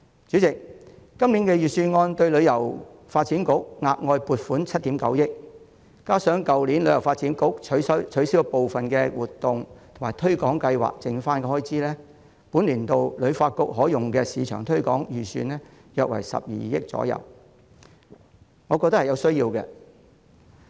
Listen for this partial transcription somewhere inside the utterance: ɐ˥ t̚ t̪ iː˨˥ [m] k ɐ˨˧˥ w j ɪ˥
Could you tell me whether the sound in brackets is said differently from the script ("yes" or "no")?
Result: no